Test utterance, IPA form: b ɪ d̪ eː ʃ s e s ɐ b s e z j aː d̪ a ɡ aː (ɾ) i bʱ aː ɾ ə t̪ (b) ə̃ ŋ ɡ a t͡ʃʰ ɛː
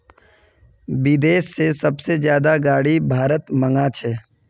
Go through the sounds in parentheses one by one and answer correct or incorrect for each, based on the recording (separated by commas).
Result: incorrect, incorrect